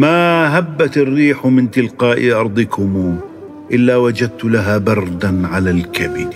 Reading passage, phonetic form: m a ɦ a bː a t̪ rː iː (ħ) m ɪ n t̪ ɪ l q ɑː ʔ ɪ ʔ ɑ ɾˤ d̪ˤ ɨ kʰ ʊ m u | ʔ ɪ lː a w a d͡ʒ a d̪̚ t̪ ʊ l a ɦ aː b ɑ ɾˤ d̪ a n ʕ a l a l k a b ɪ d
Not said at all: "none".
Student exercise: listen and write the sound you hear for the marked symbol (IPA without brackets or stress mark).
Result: ħ